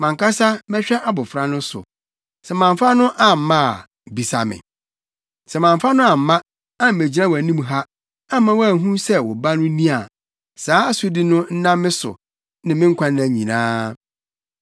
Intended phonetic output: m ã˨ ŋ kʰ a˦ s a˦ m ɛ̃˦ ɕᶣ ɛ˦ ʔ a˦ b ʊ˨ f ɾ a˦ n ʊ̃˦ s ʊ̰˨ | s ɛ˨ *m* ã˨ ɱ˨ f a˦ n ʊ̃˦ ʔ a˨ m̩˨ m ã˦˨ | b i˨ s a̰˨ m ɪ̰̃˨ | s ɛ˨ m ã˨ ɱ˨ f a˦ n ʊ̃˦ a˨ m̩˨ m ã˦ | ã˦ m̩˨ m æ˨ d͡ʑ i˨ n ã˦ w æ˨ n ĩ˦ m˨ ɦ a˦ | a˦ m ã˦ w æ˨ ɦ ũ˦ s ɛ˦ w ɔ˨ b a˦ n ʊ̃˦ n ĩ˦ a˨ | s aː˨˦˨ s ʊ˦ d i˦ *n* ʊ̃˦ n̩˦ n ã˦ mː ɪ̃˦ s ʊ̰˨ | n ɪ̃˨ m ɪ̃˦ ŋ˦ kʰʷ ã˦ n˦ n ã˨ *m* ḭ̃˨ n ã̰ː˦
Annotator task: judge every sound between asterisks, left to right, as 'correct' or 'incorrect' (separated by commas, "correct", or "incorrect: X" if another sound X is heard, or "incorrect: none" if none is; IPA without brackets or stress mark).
correct, correct, incorrect: ɲ